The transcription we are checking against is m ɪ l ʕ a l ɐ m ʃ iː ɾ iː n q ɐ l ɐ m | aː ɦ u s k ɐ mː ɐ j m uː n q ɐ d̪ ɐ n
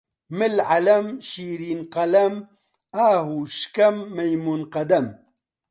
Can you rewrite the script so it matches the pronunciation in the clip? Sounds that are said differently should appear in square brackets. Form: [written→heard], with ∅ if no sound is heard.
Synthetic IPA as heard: m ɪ l ʕ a l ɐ m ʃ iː ɾ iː n q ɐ l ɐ m | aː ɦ u [s→ʃ] k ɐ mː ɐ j m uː n q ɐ d̪ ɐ [n→m]